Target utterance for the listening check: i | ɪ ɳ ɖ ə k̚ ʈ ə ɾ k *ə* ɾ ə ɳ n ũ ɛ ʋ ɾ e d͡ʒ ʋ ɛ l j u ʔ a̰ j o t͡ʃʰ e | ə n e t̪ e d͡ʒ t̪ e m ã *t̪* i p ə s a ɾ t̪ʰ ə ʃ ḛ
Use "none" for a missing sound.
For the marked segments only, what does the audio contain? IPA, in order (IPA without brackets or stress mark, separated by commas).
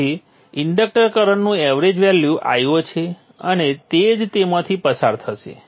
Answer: ə, t̪ʰ